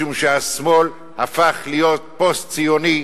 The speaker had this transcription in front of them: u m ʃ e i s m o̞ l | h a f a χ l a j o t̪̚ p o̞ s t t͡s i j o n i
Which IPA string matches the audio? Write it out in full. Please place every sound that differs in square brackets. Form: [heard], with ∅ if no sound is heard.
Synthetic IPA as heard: u m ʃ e [a] s m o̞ l | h a f a χ l [i] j o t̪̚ p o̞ s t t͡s i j o n i